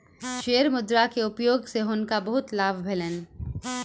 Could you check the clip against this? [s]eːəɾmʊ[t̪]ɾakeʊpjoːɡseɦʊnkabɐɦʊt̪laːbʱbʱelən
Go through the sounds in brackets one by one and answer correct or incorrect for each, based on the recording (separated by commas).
incorrect, incorrect